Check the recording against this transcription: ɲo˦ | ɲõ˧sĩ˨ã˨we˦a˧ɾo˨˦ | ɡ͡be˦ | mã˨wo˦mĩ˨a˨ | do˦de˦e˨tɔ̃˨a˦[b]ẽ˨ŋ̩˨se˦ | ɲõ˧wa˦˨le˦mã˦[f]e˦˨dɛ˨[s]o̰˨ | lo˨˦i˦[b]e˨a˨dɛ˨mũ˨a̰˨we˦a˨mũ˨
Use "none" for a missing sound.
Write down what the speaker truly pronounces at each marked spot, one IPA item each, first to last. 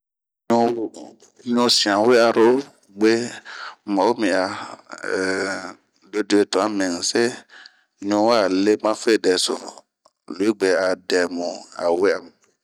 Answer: m, f, s, ɡ͡b

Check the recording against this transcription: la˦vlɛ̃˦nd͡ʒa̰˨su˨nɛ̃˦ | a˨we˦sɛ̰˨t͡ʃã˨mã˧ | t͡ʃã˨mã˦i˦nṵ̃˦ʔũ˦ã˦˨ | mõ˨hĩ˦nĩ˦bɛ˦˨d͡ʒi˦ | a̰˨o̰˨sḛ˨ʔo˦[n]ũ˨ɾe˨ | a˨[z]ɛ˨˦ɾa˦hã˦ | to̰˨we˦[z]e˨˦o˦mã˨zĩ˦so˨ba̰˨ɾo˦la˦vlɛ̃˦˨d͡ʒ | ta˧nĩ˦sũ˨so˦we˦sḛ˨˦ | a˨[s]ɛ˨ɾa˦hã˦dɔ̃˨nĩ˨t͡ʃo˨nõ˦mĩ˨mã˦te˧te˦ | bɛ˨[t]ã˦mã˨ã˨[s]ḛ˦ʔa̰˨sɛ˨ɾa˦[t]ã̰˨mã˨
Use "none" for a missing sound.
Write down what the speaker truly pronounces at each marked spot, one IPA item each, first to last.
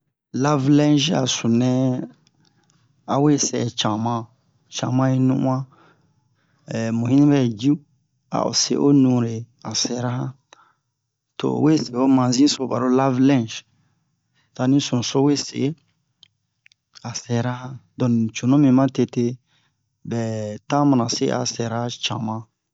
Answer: n, s, s, s, t, s, t͡ʃ

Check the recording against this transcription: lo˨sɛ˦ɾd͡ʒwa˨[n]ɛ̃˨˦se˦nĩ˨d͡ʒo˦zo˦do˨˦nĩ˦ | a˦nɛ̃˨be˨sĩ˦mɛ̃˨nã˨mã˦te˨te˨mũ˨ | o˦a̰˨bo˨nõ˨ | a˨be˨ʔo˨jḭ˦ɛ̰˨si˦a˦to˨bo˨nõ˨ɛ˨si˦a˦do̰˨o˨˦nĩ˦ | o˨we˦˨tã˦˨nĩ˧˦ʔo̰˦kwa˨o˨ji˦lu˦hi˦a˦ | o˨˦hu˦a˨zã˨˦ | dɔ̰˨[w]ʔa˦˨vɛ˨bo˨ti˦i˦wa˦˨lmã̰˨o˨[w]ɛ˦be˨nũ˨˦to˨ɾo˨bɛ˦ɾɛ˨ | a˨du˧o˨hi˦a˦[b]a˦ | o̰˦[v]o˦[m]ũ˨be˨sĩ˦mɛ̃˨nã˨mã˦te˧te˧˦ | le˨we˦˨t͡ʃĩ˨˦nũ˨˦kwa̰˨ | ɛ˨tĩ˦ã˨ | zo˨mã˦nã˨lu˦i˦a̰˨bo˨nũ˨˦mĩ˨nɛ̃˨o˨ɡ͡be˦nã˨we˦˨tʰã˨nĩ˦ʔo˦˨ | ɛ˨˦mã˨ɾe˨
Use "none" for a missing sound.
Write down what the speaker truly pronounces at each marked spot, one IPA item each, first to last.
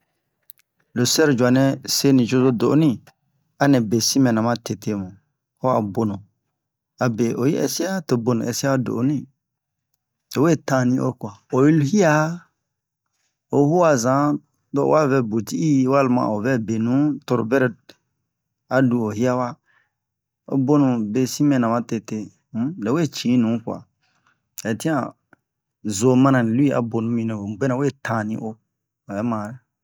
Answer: n, w, v, w, b, n

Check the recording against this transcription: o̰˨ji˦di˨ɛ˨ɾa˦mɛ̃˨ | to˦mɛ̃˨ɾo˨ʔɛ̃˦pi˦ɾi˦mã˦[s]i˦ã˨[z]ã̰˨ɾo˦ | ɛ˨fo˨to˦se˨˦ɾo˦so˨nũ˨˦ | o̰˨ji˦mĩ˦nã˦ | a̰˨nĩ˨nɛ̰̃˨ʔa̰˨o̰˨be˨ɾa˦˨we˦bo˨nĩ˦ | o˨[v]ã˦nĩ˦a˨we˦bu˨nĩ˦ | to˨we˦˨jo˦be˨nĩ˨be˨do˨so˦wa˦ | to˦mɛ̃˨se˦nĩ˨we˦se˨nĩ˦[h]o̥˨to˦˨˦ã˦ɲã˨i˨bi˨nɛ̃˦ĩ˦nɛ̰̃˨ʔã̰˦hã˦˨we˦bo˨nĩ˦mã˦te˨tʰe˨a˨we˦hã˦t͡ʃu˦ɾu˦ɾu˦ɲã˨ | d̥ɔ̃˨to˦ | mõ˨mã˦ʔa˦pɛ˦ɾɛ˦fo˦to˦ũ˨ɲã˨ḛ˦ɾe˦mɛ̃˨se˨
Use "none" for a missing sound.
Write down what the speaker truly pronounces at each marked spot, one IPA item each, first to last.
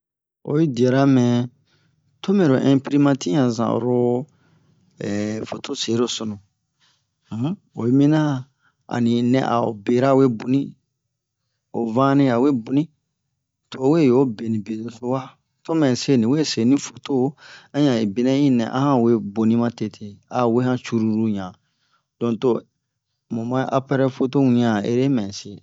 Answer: t, z, v, f

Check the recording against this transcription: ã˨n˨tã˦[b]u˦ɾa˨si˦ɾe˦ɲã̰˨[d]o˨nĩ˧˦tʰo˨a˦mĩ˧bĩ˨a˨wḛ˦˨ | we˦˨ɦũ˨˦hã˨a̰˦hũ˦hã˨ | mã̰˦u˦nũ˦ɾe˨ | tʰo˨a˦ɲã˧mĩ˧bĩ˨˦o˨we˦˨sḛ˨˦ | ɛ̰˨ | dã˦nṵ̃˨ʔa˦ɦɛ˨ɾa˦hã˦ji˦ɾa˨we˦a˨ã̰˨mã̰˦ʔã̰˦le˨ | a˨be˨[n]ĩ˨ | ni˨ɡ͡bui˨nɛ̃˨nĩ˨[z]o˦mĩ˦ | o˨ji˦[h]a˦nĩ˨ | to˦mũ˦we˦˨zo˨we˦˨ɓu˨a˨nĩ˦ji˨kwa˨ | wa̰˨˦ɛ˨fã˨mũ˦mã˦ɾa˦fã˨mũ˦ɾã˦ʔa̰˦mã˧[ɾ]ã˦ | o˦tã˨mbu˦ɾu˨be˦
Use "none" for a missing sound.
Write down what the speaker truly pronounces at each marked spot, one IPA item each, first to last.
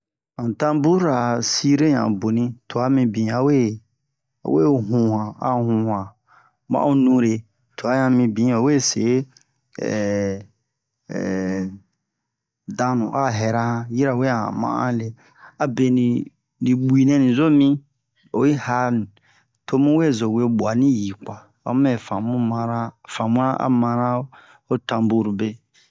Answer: b, b, n, z, h, ɾ

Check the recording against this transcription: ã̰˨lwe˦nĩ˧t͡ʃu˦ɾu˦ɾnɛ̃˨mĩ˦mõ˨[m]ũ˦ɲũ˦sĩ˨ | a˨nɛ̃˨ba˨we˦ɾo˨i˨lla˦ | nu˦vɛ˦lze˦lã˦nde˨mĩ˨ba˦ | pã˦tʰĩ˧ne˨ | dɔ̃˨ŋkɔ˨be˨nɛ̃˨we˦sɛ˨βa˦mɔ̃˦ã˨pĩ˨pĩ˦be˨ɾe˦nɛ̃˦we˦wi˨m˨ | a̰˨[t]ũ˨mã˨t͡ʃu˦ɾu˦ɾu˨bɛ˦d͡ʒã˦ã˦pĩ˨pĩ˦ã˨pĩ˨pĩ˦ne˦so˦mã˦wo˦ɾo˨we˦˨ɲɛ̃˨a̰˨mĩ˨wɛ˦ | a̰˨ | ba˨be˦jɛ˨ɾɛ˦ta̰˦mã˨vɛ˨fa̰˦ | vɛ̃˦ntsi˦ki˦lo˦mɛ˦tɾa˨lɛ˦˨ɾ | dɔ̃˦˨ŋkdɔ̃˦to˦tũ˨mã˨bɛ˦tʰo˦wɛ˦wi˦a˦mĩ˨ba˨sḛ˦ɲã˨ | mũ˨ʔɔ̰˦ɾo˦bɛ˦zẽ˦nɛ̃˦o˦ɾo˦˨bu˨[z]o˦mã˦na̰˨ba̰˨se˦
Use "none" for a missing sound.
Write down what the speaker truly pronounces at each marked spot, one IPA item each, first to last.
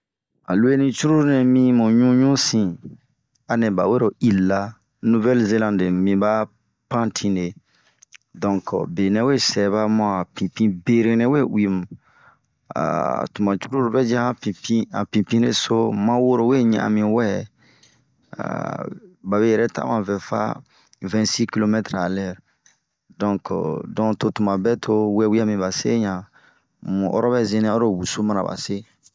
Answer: ɲ, t, s

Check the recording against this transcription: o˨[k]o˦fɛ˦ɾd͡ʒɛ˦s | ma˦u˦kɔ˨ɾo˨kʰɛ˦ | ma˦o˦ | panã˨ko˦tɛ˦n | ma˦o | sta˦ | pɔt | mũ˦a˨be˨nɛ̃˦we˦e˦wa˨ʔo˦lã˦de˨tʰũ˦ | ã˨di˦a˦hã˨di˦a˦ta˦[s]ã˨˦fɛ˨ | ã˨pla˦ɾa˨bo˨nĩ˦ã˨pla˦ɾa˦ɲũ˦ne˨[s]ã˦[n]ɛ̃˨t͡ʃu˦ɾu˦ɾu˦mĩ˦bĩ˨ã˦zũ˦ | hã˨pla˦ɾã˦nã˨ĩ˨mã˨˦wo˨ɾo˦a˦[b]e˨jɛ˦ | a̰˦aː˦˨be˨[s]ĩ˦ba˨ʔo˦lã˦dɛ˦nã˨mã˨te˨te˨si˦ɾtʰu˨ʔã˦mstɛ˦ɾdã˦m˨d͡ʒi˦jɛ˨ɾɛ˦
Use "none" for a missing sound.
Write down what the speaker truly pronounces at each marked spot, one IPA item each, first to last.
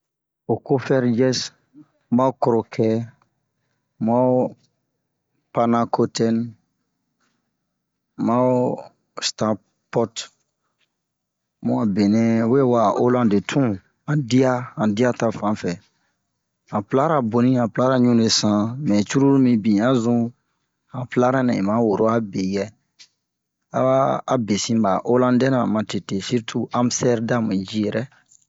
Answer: k, f, s, m, b, s

